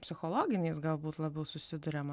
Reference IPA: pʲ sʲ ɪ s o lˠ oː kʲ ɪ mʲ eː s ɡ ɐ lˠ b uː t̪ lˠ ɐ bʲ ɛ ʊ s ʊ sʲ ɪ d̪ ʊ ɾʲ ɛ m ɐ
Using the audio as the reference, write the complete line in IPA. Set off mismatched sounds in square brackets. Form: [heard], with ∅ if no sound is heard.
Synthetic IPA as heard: pʲ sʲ ɪ [x] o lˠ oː [ɡʲ] ɪ [nʲ] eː s ɡ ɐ lˠ b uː t̪ lˠ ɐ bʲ ɛ ʊ s ʊ sʲ ɪ d̪ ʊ ɾʲ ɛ m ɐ